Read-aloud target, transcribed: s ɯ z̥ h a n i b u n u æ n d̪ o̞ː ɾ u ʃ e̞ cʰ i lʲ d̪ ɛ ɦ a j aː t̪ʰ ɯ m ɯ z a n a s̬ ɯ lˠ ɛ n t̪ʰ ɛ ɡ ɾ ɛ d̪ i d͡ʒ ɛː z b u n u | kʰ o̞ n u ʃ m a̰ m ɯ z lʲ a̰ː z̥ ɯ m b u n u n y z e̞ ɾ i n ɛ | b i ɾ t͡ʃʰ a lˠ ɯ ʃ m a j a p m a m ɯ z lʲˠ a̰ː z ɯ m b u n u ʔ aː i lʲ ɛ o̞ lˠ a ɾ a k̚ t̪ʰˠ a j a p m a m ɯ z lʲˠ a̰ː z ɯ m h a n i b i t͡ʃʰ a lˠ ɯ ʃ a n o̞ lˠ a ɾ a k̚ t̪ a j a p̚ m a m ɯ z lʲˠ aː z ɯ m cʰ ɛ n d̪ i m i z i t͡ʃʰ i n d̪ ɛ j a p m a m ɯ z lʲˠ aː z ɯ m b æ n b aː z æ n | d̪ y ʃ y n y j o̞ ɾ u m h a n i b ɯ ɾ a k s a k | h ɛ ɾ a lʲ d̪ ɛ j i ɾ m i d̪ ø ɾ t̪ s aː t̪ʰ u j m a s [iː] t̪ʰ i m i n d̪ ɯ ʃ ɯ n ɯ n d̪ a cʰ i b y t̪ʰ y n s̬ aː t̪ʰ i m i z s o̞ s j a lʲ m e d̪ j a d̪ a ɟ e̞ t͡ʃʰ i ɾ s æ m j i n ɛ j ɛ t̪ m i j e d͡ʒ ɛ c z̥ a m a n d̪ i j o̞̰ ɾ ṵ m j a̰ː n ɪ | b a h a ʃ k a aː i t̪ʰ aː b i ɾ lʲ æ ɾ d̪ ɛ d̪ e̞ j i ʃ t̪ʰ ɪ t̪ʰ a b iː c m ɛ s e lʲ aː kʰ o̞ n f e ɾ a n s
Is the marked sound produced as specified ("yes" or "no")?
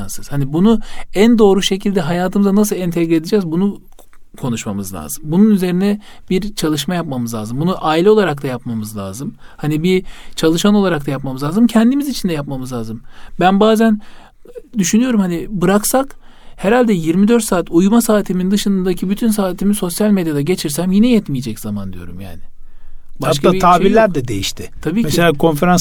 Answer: no